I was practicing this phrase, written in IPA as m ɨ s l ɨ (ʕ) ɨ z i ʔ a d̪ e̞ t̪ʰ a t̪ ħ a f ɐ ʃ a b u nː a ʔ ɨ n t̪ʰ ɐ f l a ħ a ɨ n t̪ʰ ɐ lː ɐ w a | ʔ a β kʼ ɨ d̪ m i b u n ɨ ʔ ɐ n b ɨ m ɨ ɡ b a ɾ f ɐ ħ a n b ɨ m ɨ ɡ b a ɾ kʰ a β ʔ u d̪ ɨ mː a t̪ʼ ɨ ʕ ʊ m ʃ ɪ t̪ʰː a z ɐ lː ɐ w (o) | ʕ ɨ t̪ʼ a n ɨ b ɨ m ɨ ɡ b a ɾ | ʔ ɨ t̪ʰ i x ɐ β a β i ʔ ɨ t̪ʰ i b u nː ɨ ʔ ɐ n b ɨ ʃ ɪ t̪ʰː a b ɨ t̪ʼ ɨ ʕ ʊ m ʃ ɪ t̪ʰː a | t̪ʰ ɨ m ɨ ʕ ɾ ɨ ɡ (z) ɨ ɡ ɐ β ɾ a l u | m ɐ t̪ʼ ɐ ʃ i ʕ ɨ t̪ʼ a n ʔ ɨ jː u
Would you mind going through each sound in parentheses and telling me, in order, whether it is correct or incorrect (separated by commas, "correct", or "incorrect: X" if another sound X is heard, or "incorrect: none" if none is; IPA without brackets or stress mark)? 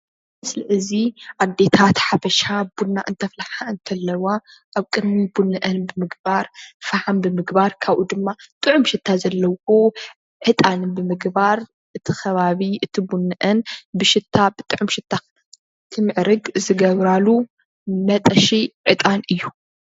correct, correct, correct